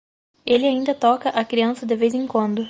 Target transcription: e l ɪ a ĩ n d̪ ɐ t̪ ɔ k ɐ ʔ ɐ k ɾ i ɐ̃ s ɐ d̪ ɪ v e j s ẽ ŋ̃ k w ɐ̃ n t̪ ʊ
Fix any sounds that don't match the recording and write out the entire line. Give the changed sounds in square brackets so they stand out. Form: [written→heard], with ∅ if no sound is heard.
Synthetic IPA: e l ɪ a ĩ n d̪ ɐ t̪ ɔ k ɐ ʔ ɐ k ɾ i ɐ̃ s ɐ d̪ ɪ v e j [s→z] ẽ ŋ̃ k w ɐ̃ n [t̪→d̪] ʊ